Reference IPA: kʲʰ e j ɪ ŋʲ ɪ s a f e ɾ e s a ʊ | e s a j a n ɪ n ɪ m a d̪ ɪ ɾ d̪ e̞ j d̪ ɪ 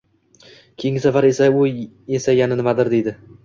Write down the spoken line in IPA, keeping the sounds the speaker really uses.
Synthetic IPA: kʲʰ e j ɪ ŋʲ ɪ s a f a ɾ e s a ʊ | e s a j a n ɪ n ɪ m a d̪ ɪ ɾ d̪ e̞ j d̪ ɪ